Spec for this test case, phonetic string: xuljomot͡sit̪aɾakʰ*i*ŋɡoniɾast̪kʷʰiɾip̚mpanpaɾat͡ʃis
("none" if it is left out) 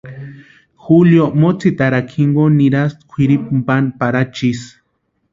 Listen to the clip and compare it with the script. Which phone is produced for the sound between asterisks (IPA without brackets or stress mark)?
i